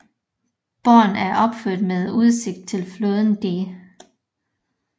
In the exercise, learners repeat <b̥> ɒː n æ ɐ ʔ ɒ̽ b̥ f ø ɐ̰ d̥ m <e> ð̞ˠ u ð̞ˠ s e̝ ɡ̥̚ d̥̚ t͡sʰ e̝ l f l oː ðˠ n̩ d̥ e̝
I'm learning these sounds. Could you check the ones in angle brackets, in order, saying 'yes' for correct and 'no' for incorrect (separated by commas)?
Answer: yes, yes